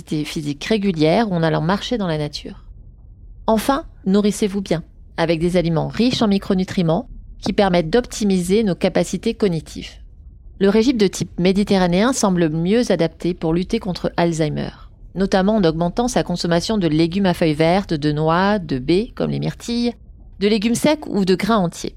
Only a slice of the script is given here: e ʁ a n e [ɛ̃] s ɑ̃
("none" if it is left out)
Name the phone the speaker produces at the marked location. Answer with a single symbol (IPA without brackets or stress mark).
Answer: ɛ̃